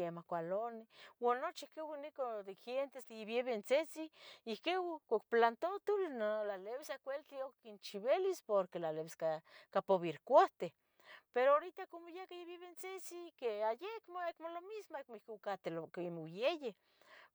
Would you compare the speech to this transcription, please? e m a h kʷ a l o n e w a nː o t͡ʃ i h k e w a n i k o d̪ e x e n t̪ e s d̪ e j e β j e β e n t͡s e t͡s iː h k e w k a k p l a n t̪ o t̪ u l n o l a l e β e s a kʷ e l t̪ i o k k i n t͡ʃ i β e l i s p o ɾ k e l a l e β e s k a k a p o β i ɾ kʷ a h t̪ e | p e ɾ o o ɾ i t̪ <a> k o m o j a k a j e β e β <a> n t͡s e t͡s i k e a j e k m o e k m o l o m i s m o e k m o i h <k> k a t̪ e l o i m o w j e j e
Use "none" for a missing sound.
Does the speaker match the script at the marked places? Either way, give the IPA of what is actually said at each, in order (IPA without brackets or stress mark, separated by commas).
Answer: a, e, k